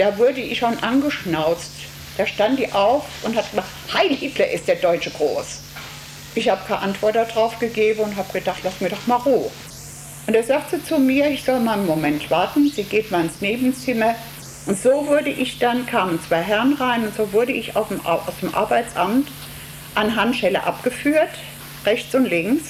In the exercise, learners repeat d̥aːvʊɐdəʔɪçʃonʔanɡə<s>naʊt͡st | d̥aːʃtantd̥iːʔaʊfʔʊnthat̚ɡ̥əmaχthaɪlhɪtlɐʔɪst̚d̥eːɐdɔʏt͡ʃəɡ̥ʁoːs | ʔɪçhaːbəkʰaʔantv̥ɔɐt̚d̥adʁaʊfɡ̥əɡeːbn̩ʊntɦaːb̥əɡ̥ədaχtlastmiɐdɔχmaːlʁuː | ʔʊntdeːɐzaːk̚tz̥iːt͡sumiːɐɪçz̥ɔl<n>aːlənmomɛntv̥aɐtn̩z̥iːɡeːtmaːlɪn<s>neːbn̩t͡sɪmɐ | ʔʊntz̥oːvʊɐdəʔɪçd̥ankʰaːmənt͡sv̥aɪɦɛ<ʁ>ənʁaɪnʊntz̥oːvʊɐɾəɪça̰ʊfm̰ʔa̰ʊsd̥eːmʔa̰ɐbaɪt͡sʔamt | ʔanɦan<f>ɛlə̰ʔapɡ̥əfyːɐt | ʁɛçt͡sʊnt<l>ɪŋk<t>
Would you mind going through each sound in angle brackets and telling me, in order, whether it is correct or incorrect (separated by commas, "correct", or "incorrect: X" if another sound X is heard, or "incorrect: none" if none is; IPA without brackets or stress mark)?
incorrect: ʃ, incorrect: m, correct, correct, incorrect: ʃ, correct, incorrect: s